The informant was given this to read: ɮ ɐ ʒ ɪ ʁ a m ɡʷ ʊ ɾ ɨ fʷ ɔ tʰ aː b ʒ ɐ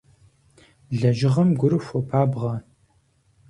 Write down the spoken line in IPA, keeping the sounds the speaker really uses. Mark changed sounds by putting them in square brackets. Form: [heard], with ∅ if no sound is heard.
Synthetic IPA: ɮ ɐ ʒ ɪ ʁ [ɐ] m ɡʷ ʊ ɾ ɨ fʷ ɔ [pʰ] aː b [ʁ] ɐ